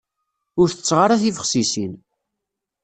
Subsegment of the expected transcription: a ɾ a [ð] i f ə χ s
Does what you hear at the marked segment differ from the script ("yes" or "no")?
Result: yes